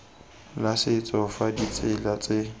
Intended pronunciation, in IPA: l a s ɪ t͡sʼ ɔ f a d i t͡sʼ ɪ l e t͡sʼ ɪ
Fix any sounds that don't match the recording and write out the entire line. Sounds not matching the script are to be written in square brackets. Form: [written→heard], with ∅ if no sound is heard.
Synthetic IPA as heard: l a s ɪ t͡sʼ ɔ f a d i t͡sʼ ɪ l [e→a] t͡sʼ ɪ